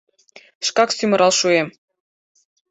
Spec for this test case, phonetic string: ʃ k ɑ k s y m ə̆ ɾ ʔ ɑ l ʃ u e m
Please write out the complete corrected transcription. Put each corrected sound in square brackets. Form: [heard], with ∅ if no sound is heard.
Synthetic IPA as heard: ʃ k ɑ k s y m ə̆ ɾ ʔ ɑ l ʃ u e m